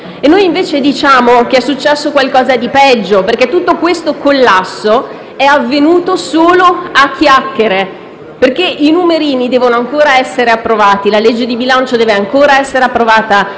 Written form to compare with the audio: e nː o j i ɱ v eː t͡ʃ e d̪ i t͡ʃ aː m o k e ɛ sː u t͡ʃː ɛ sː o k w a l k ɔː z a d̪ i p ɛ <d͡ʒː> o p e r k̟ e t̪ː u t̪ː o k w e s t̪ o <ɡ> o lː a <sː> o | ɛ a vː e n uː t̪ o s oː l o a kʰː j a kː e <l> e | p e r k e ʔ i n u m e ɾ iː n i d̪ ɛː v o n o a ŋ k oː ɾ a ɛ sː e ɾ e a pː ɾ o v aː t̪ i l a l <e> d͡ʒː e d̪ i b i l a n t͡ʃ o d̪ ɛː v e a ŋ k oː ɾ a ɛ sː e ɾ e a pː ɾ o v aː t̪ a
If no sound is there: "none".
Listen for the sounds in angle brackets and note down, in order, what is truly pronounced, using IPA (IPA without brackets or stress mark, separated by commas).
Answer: d͡ʒː, k, sː, ɾ, e